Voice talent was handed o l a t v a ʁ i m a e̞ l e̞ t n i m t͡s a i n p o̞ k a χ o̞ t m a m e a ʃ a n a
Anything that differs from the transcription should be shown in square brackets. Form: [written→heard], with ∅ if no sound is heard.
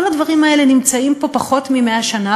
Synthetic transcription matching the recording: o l a [t→d] v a ʁ i m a e̞ l e̞ [t→∅] n i m t͡s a i [n→m] p o̞ [k→p] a χ o̞ t m [a→i] m e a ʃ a n a